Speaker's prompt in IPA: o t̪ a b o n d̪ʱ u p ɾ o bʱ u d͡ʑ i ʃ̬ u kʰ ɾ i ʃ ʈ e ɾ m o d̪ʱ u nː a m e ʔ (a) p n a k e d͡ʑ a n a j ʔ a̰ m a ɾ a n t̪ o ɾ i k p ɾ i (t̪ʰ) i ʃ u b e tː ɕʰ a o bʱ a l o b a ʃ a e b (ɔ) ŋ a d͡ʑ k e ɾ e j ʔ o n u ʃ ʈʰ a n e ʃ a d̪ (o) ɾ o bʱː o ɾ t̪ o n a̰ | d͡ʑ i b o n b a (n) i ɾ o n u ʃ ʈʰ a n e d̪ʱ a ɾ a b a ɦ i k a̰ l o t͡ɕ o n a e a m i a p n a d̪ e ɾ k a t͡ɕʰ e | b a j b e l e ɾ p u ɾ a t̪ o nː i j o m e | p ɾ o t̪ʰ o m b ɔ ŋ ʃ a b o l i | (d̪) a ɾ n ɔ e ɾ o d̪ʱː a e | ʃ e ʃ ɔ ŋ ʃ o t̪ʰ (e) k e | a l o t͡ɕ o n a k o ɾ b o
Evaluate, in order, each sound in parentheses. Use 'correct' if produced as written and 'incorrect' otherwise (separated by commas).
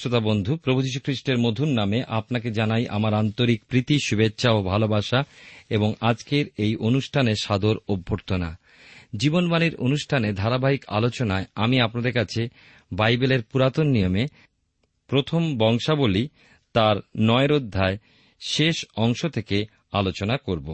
correct, incorrect, incorrect, correct, correct, incorrect, correct